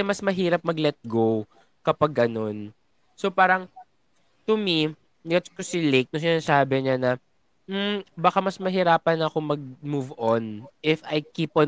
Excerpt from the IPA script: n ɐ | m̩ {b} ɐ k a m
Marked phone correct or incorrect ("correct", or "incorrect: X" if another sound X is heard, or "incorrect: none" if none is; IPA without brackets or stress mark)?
correct